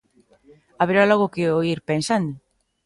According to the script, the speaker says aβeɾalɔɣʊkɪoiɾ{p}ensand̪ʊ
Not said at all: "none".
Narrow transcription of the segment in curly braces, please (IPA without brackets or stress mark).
p